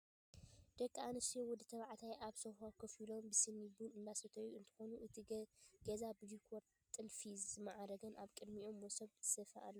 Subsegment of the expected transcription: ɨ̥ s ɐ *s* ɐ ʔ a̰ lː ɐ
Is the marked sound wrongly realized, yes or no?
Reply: yes